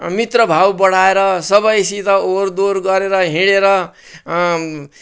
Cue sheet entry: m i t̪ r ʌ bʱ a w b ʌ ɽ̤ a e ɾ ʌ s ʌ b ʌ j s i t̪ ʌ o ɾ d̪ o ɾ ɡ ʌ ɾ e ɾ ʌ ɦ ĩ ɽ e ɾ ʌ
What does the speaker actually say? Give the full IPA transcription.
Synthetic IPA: m i t̪ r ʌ bʱ a w b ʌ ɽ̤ a e ɾ ʌ s ʌ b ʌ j s i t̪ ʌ o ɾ d̪ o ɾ ɡ ʌ ɾ e ɾ ʌ ɦ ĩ ɽ e ɾ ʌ